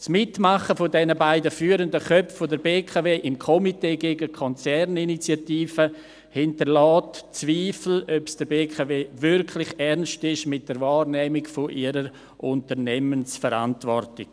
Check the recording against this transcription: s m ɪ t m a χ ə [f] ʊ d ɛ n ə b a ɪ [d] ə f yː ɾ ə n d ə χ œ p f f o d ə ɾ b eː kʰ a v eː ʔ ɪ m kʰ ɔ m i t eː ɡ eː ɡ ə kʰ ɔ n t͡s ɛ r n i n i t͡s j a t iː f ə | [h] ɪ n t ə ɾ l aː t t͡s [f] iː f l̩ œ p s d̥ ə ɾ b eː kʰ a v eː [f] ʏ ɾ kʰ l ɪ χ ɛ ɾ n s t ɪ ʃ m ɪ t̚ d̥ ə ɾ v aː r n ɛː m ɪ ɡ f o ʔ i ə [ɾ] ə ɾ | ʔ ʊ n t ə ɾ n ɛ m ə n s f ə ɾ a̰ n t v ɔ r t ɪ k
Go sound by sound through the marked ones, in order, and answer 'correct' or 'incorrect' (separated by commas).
correct, correct, correct, incorrect, incorrect, correct